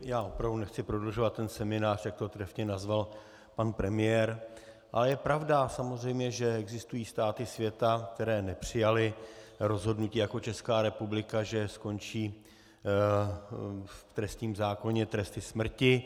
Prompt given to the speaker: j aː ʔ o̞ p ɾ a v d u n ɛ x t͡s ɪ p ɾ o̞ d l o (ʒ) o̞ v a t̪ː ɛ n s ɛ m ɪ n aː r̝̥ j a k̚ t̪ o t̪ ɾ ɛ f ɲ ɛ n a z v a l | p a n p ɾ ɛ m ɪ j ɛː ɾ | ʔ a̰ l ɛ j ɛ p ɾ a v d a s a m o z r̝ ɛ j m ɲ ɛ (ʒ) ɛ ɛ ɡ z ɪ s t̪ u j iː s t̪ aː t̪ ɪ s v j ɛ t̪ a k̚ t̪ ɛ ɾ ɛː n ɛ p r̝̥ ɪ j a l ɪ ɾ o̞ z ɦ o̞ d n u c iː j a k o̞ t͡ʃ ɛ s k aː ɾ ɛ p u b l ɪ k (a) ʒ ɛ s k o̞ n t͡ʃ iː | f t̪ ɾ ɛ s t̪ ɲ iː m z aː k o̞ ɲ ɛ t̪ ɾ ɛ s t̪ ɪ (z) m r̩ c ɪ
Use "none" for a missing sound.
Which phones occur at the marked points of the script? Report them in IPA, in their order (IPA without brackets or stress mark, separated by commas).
ʒ, ʒ, a, s